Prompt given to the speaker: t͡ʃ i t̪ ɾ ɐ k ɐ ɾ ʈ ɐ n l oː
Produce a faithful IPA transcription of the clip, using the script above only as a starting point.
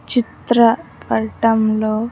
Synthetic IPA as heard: t͡ʃ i t̪ ɾ ɐ p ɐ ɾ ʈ ɐ m l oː